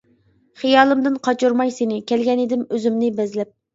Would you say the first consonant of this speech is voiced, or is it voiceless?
voiceless